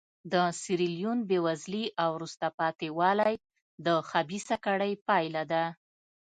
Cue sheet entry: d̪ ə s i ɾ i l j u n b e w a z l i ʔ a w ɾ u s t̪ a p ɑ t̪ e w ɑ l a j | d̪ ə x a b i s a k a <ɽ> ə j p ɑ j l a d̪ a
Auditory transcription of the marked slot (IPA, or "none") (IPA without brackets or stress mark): ɽ